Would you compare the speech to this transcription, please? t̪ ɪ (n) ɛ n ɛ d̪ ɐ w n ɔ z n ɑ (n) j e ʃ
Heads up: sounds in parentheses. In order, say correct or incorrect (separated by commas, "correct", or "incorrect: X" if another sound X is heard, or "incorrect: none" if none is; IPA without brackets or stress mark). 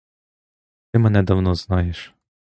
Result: incorrect: m, incorrect: none